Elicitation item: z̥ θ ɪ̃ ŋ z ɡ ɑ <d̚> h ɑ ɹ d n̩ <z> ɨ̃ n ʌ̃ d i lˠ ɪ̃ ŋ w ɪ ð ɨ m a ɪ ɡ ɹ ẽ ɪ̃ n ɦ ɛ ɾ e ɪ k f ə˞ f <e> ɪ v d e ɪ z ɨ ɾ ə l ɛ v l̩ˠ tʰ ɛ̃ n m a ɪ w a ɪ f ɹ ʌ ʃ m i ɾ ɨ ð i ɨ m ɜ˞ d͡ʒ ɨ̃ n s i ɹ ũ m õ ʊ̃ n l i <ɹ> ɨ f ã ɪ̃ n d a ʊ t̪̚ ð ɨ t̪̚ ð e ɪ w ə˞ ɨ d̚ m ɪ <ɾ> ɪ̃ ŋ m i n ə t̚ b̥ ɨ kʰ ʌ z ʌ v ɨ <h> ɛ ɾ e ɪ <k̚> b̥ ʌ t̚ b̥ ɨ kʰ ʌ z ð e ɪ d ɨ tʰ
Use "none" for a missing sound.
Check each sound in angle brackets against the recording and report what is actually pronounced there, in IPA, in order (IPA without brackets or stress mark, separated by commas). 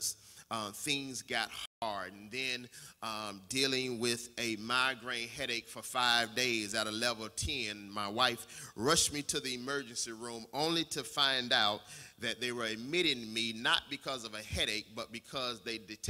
t̚, ð, a, ɾ, ɾ, h, k̚